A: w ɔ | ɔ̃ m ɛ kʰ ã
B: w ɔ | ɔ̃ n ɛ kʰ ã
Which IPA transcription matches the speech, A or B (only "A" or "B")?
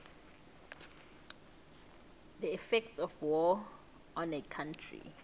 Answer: B